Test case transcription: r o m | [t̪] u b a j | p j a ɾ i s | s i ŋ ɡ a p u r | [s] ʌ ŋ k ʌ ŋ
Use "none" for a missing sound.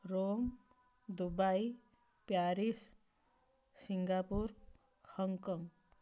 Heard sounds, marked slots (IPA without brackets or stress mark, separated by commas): d̪, h